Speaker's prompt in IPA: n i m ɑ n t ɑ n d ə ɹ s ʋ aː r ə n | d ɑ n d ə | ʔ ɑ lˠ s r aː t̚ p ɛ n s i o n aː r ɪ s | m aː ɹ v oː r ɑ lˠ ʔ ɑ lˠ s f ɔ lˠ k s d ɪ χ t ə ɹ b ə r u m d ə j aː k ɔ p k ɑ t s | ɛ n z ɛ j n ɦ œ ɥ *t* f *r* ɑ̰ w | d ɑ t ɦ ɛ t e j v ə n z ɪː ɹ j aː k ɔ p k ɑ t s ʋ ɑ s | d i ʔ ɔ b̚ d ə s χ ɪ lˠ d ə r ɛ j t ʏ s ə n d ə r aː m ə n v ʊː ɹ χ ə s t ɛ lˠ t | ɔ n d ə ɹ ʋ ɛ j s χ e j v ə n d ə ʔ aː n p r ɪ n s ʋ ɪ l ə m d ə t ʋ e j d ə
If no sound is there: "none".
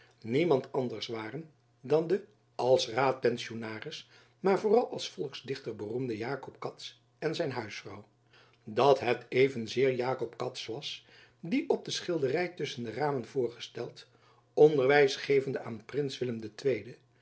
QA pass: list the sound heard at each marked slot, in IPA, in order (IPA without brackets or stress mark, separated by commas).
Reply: s, r